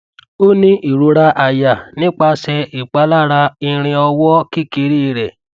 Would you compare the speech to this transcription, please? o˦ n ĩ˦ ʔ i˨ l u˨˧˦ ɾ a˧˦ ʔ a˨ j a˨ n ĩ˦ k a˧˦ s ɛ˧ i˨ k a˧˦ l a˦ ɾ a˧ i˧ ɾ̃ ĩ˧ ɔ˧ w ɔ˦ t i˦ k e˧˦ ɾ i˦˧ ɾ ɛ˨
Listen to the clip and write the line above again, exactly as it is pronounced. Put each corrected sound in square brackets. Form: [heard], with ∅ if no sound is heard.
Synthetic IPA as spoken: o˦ n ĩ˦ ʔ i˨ [ɾ] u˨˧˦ ɾ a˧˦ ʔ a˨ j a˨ n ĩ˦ [k͡p] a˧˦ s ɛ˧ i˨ [k͡p] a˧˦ l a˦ ɾ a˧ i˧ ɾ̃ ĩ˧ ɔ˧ w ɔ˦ [k] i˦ k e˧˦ ɾ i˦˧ ɾ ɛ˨